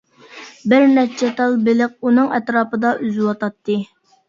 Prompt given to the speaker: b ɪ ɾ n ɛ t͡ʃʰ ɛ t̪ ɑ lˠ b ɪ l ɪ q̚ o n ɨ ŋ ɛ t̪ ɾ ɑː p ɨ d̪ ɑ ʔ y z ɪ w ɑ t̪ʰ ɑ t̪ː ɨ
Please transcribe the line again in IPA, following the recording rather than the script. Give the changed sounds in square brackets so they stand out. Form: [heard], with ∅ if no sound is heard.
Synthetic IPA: b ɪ ɾ n ɛ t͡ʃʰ ɛ t̪ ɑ lˠ b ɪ l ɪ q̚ [u] n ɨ ŋ ɛ t̪ ɾ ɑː p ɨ d̪ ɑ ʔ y z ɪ w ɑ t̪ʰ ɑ t̪ː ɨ